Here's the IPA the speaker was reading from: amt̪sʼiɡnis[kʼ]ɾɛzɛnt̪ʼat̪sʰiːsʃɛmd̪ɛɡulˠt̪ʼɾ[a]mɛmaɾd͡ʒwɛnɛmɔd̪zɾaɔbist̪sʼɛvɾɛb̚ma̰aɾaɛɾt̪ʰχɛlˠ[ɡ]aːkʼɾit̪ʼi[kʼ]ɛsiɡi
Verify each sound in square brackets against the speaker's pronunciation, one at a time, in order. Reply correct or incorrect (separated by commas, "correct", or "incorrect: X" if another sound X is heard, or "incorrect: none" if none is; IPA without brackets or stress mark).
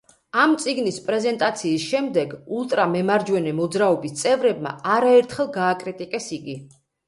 incorrect: pʼ, correct, correct, correct